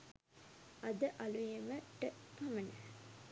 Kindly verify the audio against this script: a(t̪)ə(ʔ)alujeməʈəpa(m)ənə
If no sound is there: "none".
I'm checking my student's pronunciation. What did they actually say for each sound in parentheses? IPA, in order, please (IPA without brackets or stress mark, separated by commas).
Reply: d̪, ʔ, m